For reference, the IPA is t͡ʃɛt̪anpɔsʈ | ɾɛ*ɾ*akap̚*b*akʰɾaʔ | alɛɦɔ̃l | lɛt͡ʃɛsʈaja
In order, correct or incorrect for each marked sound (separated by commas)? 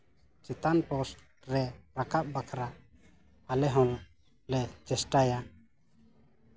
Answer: correct, correct